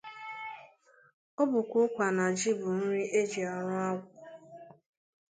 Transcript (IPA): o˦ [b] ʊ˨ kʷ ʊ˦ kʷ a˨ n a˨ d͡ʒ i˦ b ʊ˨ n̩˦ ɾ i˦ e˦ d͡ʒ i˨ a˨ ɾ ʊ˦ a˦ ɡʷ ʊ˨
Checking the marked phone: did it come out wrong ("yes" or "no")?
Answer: no